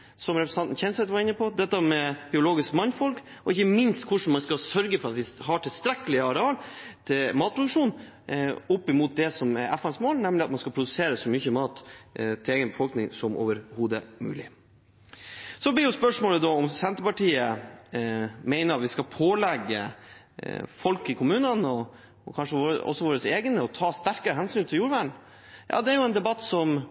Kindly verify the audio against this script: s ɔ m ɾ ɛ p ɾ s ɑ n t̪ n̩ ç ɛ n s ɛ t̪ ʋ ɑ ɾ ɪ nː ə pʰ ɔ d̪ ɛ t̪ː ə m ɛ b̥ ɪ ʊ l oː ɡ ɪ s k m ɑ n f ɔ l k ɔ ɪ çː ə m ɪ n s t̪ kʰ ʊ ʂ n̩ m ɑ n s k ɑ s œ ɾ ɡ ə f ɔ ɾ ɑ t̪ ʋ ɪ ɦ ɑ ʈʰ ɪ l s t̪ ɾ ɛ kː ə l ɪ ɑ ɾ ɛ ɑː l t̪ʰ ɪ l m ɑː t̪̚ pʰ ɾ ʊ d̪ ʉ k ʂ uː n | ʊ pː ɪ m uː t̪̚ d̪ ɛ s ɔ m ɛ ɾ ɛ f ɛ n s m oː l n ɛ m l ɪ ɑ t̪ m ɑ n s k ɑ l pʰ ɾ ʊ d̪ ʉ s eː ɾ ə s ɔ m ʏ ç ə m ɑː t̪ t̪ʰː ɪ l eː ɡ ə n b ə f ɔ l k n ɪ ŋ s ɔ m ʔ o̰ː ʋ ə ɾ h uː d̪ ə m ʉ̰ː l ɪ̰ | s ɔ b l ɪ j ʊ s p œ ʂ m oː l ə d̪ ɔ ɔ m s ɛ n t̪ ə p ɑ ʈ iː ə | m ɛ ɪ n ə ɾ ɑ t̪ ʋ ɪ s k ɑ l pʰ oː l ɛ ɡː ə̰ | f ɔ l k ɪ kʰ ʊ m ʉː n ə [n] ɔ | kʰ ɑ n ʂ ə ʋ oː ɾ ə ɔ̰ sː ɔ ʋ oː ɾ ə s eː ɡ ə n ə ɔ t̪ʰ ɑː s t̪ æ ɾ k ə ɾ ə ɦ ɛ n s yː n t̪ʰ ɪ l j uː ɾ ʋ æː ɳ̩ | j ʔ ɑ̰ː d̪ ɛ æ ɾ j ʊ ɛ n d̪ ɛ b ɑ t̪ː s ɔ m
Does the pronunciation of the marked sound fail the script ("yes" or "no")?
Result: no